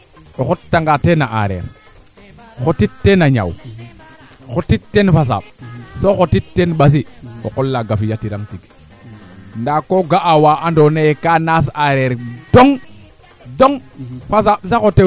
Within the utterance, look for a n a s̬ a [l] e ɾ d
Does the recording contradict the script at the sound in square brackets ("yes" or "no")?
yes